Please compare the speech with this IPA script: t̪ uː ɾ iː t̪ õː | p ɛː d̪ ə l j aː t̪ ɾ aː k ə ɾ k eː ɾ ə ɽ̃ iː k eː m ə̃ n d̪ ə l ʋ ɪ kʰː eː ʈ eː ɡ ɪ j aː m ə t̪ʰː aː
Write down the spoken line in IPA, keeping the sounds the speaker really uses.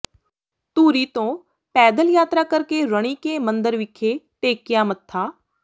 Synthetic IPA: t̪ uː ɾ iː t̪ õː | p ɛː d̪ ə l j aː t̪ ɾ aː k ə ɾ k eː ɾ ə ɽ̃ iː k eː m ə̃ n d̪ ə ɾ ʋ ɪ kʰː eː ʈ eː k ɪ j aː m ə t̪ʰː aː